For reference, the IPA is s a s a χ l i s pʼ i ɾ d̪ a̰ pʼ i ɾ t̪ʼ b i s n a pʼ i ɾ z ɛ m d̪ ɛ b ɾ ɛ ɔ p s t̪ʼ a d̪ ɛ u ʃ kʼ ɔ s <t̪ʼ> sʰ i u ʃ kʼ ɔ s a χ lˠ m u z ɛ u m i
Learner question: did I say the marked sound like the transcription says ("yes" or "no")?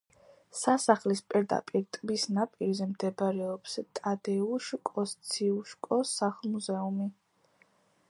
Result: no